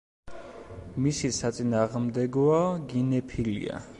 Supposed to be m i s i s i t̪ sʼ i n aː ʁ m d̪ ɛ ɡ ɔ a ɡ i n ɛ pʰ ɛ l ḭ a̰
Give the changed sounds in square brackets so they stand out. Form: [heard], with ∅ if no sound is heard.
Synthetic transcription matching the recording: m i s i s [a] t̪ sʼ i n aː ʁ m d̪ ɛ ɡ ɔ a ɡ i n ɛ pʰ [i] l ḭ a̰